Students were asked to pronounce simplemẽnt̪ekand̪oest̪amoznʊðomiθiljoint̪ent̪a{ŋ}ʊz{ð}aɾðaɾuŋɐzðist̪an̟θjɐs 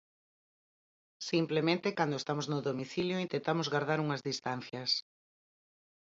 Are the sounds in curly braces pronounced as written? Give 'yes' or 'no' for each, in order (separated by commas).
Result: no, no